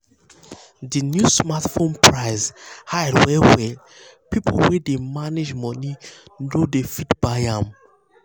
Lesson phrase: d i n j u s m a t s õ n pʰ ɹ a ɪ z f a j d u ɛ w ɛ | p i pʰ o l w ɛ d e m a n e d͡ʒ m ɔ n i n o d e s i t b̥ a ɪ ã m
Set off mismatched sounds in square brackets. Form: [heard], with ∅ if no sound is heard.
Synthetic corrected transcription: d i n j u s m a t [f] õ n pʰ ɹ a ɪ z [h] a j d [w] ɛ w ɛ | p i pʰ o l w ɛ d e m a n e d͡ʒ m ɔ n i n o d e [f] i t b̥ a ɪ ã m